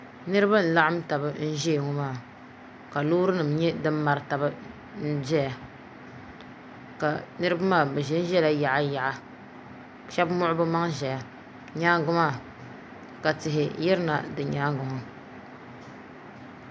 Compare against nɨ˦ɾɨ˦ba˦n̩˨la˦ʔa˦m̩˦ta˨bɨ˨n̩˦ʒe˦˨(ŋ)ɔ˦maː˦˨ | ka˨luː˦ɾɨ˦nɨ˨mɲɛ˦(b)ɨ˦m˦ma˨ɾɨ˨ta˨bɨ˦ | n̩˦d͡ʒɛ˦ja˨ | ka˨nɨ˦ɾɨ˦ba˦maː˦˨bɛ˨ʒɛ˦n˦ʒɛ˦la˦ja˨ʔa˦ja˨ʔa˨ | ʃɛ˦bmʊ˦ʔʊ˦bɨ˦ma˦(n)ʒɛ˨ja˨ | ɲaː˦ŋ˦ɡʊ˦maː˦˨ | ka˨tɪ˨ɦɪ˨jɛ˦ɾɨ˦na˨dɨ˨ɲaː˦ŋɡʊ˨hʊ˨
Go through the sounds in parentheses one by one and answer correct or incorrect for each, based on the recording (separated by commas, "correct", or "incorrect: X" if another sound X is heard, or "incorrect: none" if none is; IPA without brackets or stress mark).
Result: correct, incorrect: d, incorrect: ŋ